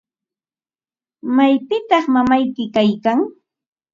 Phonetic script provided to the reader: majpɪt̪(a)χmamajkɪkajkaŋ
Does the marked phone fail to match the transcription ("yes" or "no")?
yes